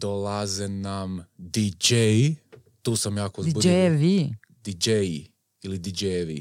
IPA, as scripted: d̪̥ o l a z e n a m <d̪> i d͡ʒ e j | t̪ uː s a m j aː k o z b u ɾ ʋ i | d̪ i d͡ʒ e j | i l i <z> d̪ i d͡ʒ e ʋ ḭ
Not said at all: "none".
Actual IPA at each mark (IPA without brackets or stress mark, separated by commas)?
d̪, none